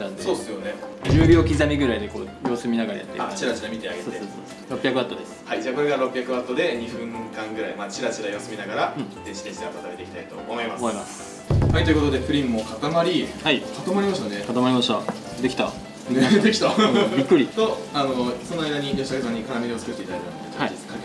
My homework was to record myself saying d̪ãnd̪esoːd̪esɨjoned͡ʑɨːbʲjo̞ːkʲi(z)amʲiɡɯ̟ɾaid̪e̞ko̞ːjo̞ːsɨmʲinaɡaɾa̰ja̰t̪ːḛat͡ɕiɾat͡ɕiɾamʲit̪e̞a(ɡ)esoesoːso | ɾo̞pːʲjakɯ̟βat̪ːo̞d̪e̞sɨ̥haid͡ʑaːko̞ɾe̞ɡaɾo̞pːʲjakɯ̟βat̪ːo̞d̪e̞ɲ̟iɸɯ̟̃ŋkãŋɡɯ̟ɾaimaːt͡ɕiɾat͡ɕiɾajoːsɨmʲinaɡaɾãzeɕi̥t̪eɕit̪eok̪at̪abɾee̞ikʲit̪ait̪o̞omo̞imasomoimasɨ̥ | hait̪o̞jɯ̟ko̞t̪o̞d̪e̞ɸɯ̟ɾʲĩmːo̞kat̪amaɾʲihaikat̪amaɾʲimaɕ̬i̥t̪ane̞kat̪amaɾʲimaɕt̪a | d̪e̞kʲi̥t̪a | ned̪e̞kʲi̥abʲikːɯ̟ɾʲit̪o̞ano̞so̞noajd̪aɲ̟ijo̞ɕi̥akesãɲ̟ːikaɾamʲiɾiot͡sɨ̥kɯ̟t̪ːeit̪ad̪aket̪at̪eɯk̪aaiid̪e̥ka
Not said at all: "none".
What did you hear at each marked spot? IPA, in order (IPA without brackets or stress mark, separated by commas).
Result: z, ɡ